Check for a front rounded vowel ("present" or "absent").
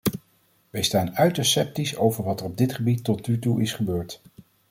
present